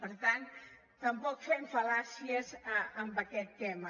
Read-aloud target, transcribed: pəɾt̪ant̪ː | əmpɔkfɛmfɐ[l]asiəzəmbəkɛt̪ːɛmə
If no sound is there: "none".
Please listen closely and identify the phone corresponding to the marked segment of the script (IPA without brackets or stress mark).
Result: l